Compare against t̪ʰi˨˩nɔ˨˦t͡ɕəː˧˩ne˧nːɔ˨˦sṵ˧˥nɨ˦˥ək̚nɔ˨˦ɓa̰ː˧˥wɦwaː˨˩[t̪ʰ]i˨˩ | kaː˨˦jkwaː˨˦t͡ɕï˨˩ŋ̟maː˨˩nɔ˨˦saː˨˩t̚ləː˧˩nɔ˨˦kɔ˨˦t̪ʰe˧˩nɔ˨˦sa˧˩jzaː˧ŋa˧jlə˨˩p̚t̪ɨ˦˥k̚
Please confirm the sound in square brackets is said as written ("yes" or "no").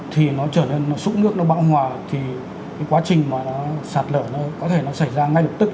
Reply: yes